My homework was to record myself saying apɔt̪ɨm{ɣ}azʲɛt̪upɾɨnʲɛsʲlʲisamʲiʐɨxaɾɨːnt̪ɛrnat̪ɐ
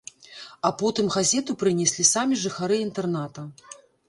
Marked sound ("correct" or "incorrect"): correct